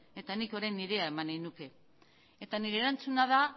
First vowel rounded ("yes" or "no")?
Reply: no